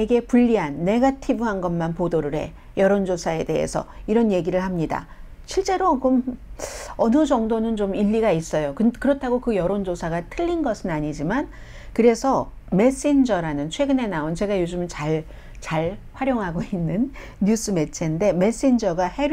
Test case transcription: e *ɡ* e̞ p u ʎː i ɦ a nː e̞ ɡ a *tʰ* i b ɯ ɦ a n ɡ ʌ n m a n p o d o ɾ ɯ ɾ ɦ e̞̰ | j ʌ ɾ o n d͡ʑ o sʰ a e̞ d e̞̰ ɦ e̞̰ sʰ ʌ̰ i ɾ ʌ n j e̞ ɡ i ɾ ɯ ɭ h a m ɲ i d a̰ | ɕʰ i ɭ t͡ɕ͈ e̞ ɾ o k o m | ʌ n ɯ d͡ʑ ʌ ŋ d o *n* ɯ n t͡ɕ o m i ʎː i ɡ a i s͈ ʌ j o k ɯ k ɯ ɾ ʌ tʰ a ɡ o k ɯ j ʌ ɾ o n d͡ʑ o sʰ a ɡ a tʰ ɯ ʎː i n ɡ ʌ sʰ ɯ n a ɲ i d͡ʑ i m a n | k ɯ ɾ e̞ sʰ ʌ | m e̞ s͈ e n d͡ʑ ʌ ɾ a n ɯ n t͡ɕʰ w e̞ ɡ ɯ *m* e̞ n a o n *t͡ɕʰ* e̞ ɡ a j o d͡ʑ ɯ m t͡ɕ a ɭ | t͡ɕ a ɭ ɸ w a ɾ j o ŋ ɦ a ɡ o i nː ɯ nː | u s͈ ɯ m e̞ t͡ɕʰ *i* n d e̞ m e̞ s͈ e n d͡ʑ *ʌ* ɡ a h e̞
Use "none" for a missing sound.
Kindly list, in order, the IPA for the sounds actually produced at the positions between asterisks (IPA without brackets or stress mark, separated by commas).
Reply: ɡ, tʰ, n, n, t͡ɕ, e, ʌ